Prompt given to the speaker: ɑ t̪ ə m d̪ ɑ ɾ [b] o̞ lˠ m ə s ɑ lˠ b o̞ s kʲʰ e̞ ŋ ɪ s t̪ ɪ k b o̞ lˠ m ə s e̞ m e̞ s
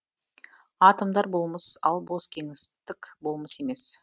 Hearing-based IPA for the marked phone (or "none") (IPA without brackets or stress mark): b